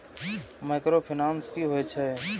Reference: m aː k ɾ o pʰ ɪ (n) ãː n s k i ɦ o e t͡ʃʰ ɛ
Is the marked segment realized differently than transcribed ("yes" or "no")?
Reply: no